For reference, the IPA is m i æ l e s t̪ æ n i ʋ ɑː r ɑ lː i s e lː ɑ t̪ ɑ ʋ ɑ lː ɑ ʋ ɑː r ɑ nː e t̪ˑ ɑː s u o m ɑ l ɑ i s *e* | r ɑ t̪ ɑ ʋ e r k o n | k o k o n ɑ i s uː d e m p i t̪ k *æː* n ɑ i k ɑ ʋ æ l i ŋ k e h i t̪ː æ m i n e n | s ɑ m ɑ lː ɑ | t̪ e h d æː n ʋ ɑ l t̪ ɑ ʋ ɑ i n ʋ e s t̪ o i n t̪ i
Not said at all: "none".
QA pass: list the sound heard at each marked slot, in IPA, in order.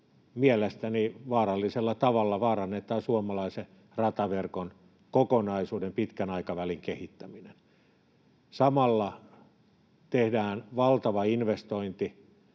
e, æ

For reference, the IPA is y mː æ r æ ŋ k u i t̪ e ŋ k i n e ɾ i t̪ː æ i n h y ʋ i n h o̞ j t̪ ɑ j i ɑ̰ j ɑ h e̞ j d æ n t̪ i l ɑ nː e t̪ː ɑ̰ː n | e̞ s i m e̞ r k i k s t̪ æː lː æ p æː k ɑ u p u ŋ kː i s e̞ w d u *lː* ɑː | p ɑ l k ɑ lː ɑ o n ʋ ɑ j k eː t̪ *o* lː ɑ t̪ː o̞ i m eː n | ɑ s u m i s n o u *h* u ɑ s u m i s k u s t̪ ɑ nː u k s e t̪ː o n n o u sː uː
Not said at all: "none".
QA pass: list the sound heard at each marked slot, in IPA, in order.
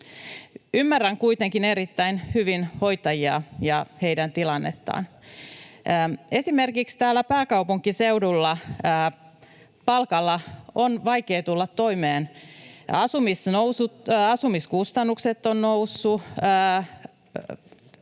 lː, u, s

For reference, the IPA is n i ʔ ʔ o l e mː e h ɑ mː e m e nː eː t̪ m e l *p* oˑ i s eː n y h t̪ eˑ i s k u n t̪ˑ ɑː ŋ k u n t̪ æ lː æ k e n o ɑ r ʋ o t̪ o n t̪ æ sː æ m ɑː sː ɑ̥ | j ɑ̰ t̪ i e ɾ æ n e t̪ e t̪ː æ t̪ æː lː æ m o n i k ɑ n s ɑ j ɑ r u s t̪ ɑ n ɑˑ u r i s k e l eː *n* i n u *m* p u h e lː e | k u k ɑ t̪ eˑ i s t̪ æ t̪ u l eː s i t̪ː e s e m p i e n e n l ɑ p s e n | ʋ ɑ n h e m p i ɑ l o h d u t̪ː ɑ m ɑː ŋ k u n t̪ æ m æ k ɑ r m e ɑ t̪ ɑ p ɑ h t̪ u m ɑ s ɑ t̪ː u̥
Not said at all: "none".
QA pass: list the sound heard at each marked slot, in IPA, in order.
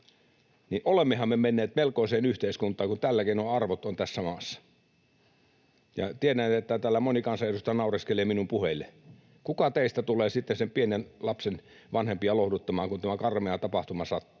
k, m, m

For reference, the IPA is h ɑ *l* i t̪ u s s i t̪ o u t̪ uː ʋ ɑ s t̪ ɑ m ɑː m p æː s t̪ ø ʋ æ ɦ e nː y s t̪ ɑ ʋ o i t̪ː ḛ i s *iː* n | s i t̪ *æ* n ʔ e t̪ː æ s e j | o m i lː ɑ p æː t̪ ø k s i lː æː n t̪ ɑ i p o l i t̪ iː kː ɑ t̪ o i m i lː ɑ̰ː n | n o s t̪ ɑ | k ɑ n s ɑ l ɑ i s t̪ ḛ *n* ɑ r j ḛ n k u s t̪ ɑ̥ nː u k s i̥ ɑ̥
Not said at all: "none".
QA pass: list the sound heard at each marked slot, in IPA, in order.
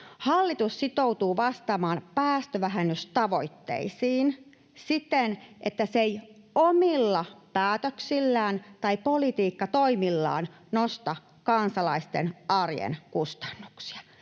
lː, iː, e, n

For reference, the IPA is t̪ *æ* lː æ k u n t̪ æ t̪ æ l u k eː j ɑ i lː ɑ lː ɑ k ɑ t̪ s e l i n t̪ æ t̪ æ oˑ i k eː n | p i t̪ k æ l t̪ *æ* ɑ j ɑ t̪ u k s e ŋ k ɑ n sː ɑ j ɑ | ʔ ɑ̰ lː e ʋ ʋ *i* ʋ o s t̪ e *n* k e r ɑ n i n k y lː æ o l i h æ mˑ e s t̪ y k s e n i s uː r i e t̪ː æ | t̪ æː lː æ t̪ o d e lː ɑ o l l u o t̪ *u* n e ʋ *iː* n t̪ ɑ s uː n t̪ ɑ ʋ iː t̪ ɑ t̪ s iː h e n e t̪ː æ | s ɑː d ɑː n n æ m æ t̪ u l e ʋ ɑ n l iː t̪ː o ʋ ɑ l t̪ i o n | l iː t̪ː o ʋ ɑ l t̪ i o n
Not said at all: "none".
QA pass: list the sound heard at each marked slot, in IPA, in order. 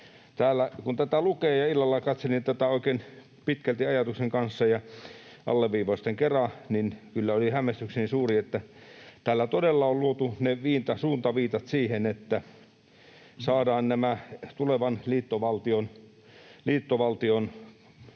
æː, i, iː, ŋ, u, iː

